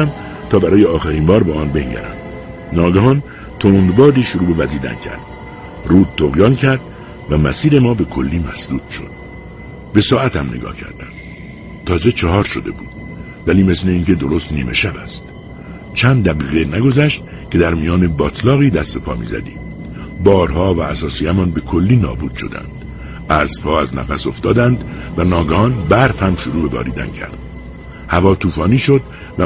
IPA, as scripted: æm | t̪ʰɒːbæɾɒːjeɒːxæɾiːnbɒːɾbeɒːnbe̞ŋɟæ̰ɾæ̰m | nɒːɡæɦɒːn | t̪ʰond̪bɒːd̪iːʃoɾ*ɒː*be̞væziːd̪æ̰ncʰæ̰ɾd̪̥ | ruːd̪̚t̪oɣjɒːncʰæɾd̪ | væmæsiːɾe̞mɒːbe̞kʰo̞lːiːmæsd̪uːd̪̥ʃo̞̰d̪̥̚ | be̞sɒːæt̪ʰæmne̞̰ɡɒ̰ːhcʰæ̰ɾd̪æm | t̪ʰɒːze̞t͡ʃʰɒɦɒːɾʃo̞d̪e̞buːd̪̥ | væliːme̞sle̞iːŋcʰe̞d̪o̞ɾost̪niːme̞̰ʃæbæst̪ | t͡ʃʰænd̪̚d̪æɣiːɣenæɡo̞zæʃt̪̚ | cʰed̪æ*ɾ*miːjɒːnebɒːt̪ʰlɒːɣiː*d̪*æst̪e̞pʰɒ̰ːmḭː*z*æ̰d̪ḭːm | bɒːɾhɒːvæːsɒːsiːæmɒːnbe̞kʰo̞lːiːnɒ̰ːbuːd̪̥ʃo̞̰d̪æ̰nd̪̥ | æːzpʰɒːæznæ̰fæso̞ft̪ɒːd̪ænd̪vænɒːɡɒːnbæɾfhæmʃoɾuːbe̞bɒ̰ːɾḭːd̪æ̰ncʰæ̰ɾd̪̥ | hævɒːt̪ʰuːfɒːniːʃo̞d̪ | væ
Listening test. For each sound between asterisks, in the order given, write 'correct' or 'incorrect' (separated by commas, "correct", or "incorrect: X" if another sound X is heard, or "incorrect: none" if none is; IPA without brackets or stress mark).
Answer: incorrect: uː, correct, correct, correct